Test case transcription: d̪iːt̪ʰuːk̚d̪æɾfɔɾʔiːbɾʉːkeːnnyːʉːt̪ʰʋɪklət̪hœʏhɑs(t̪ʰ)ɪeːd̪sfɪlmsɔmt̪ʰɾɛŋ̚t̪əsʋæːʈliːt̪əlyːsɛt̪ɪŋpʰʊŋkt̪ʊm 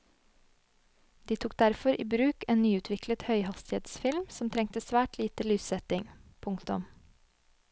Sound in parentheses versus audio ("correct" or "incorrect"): incorrect